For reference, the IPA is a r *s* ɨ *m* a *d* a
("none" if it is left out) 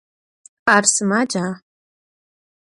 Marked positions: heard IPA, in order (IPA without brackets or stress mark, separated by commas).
s, m, d͡ʒ